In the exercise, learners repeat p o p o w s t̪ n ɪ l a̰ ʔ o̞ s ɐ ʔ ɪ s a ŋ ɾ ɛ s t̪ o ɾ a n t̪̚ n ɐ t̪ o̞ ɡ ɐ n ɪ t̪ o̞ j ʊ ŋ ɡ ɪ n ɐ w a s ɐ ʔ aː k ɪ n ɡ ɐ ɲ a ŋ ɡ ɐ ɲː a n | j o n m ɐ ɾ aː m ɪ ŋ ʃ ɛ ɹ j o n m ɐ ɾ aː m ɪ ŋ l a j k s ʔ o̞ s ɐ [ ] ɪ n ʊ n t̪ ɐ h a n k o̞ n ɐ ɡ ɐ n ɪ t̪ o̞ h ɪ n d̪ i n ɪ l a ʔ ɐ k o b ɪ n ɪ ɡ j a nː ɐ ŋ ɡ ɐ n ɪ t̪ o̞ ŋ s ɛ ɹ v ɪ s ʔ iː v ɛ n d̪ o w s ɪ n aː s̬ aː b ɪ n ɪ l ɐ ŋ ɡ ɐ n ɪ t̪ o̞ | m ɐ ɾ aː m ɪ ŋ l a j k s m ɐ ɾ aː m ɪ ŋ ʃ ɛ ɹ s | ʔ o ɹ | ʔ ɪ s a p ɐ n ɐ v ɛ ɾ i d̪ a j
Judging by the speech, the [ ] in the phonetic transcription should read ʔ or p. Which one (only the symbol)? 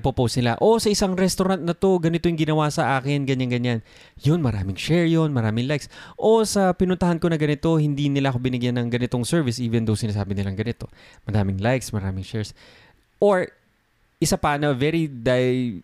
p